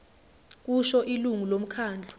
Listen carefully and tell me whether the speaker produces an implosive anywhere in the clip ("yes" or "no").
no